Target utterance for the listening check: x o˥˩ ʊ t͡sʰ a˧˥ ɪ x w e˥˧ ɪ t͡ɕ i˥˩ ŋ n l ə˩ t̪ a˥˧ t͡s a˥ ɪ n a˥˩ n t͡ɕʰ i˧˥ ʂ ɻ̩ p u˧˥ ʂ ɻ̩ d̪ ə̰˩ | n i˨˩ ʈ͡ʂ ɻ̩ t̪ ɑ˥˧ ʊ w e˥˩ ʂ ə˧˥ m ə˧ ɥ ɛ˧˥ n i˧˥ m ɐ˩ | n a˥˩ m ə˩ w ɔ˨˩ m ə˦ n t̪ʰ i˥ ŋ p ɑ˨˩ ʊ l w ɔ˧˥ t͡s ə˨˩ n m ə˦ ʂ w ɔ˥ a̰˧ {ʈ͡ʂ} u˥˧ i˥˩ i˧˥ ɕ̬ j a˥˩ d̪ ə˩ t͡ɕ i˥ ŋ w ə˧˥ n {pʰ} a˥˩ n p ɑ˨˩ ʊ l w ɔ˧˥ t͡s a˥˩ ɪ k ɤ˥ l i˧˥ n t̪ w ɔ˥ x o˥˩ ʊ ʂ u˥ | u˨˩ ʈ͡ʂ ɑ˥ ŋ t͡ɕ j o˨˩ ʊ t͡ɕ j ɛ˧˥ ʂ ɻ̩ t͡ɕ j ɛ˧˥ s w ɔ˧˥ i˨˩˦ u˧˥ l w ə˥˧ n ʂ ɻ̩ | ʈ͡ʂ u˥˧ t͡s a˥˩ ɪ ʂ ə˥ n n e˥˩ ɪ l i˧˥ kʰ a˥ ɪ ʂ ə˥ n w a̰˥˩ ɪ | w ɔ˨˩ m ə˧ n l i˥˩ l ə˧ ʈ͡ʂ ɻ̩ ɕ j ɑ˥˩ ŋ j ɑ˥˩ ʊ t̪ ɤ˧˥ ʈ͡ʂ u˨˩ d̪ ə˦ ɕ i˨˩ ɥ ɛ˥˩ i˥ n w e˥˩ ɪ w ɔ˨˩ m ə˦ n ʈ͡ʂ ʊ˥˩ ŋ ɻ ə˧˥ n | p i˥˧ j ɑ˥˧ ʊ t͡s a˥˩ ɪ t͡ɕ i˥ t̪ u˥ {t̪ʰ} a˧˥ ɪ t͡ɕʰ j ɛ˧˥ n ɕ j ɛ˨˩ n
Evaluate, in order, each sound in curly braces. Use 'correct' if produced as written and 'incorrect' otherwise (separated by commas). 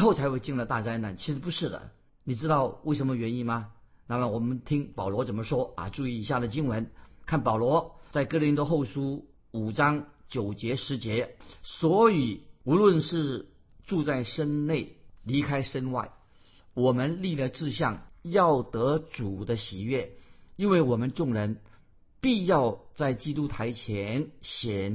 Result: correct, incorrect, correct